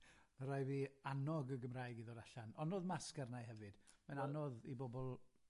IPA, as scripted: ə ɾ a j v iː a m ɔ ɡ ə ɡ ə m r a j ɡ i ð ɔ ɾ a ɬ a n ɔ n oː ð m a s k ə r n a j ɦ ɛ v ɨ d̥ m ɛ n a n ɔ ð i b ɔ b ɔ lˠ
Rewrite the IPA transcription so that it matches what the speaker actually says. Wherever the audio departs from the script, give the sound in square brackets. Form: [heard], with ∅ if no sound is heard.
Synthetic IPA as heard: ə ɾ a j v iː a [n] ɔ ɡ ə ɡ ə m r a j ɡ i ð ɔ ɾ a ɬ a n ɔ n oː ð m a s k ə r n a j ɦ ɛ v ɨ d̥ m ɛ n a n ɔ ð i b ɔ b ɔ lˠ